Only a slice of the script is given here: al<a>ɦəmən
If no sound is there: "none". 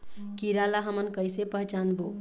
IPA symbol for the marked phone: a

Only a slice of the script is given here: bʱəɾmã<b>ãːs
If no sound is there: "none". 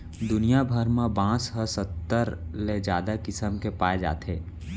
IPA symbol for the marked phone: b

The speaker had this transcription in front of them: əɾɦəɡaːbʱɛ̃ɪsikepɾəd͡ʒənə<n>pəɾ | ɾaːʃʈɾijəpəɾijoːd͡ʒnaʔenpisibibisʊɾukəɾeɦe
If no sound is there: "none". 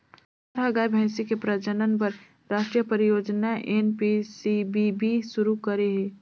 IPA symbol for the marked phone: n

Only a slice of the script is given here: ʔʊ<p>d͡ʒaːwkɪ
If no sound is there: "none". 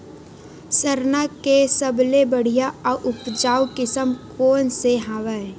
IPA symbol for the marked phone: p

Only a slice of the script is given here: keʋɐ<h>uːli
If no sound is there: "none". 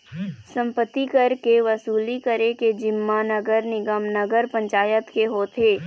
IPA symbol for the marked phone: s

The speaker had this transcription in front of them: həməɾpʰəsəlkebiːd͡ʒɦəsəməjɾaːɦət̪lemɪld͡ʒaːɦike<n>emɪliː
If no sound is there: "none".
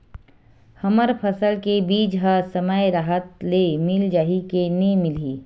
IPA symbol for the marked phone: n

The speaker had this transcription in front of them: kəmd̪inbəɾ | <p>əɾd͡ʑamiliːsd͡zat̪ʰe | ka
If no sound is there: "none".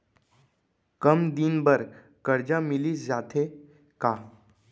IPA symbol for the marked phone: k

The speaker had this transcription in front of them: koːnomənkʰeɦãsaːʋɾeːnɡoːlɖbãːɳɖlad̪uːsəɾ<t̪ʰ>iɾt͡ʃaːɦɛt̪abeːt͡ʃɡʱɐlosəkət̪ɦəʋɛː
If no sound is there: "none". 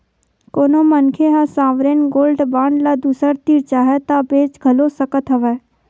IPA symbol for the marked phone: t̪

